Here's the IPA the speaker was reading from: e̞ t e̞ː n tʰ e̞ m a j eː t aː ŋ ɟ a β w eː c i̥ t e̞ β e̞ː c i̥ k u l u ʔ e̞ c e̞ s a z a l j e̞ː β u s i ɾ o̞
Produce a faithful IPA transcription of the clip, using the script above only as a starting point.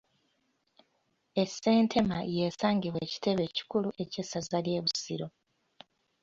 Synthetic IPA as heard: e̞ s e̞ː n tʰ e̞ m a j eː s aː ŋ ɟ i β w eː c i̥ t e̞ β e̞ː c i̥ k u l u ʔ e̞ c e̞ s a z a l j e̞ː β u s i ɾ o̞